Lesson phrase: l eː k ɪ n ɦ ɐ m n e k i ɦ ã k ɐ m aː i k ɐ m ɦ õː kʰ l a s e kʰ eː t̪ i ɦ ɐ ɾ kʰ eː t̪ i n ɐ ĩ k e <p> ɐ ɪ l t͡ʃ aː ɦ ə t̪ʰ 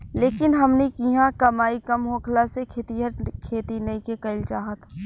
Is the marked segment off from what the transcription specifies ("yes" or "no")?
yes